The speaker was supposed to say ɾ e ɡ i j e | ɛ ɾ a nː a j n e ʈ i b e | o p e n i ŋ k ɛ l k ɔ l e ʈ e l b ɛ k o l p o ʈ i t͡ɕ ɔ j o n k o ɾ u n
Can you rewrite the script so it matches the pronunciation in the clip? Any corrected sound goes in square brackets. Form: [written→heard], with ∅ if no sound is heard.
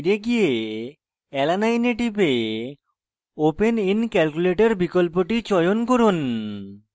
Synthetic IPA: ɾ e ɡ i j e | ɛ [ɾ→l] a [nː→n] a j n e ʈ i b e | o p e n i [ŋ→n] k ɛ l k [ɔ→u] l e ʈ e [l→ɾ] b [ɛ→i] k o l p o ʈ i t͡ɕ ɔ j o n k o ɾ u n

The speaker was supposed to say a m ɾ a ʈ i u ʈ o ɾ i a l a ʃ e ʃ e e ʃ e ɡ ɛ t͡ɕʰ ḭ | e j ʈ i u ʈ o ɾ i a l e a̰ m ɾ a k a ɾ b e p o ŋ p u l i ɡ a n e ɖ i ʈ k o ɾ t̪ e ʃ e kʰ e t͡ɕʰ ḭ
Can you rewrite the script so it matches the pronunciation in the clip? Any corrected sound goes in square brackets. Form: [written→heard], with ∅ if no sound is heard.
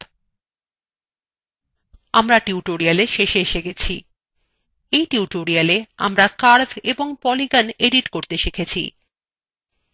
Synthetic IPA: a m ɾ a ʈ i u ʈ o ɾ i a l [a→e] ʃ e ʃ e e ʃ e ɡ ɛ t͡ɕʰ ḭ | e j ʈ i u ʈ o ɾ i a l e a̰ m ɾ a k a ɾ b e [p→b] o ŋ p [u→ɔ] l i ɡ a n e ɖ i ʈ k o ɾ t̪ e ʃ e kʰ e t͡ɕʰ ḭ

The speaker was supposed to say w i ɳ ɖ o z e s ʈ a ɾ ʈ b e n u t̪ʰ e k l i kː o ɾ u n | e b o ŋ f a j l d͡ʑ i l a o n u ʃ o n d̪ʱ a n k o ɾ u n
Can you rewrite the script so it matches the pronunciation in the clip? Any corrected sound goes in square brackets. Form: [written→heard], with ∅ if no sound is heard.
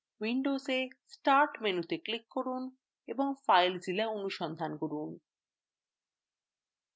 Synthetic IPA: w i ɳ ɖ o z e s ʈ a ɾ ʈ [b→m] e n u [t̪ʰ→t̪] e k l i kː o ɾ u n | e b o ŋ f a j l d͡ʑ i l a o n u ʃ [o→ɔ] n d̪ʱ a n k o ɾ u n

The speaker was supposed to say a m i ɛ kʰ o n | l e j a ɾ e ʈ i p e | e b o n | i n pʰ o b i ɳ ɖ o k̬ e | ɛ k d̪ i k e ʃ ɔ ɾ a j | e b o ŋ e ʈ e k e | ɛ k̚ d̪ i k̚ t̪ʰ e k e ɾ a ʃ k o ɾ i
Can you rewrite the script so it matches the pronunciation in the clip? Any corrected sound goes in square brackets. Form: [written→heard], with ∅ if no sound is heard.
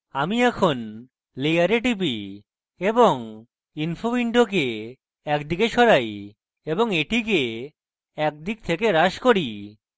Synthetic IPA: a m i ɛ kʰ o n | l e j a ɾ e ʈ i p [e→i] | e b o [n→ŋ] | i n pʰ o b i ɳ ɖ o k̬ e | ɛ k d̪ i k e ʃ ɔ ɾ a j | e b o ŋ e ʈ [e→i] k e | ɛ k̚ d̪ i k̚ t̪ʰ e k e ɾ a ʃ k o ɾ i

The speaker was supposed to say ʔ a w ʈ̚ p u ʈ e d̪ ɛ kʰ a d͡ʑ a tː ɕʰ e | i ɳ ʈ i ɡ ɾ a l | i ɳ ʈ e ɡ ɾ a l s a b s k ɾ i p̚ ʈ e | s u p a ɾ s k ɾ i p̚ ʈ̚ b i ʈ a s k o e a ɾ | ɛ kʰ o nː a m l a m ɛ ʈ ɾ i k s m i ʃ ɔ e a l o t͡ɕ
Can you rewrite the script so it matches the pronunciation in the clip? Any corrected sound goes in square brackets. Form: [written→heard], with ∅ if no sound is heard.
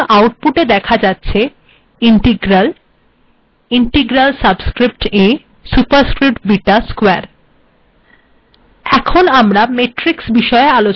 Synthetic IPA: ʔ a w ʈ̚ p u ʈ e d̪ ɛ kʰ a d͡ʑ a tː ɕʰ e | i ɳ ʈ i ɡ ɾ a l | i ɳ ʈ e ɡ ɾ a l s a b s k ɾ i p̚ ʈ e | s u p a ɾ s k ɾ i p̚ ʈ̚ b i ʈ a s k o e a ɾ | ɛ kʰ o [nː→n] a m [l→ɾ] a m [ɛ→e] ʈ ɾ i k s [m→b] i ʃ ɔ e a l o t͡ɕ

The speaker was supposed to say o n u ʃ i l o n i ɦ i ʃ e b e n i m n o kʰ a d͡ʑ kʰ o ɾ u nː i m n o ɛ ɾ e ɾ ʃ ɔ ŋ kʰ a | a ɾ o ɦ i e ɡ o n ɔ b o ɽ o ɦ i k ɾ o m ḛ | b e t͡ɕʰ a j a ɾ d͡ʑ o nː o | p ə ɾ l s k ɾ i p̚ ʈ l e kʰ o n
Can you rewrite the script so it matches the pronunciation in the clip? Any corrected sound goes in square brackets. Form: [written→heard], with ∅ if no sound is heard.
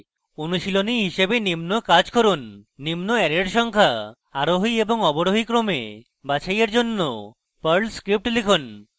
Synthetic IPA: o n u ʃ i l o n i ɦ i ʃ e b e n i m n o [kʰ→k] a d͡ʑ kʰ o ɾ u nː i m n o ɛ ɾ e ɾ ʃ ɔ ŋ kʰ a | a ɾ o ɦ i e [ɡ→b] o [n→ŋ] ɔ b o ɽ o ɦ i k ɾ o m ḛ | b [e→a] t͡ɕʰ a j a ɾ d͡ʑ o nː o | p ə ɾ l s k ɾ i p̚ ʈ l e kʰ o n

